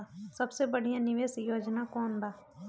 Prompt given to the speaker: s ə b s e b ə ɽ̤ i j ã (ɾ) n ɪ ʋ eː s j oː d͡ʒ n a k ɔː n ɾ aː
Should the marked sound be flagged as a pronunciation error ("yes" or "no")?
yes